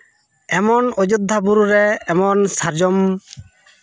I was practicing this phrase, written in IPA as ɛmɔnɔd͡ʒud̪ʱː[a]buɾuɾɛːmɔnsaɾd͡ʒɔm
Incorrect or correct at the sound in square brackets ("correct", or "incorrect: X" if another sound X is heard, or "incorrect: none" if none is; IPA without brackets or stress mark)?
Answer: correct